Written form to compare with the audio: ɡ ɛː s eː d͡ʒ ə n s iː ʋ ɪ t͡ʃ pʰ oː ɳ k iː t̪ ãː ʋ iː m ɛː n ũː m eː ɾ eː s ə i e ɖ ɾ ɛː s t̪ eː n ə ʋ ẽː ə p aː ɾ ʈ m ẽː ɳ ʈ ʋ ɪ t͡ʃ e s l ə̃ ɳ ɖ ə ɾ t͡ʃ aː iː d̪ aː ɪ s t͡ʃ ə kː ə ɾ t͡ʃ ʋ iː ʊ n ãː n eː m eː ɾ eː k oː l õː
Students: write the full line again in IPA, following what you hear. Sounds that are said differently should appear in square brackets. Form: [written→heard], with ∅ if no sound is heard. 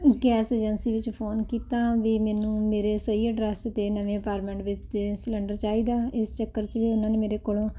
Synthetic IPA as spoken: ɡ ɛː s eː d͡ʒ ə n s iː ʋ ɪ t͡ʃ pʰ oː [ɳ→n] k iː t̪ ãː ʋ iː m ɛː n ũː m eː ɾ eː s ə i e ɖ ɾ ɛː s t̪ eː n ə ʋ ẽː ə p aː ɾ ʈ m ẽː ɳ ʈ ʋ ɪ t͡ʃ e s l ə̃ ɳ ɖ ə ɾ t͡ʃ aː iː d̪ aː ɪ s t͡ʃ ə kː ə ɾ t͡ʃ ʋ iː ʊ n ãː n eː m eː ɾ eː k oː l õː